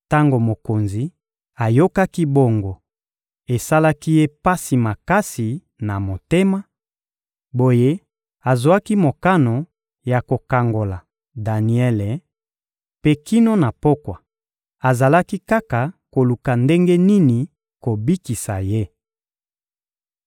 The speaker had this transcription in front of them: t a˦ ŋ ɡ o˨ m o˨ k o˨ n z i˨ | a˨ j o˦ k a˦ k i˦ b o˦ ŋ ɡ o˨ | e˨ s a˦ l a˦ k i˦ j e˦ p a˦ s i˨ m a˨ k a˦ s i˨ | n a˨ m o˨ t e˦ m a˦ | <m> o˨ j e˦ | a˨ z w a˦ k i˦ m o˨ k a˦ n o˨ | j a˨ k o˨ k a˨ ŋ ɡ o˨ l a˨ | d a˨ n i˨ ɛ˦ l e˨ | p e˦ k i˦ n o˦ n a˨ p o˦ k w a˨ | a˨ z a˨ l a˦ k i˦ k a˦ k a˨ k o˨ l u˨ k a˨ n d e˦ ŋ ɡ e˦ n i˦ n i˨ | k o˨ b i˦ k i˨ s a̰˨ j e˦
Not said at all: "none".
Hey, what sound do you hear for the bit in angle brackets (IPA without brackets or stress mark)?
b